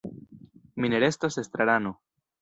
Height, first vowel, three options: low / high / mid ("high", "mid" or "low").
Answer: high